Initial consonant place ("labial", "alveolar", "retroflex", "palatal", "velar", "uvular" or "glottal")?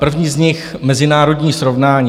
labial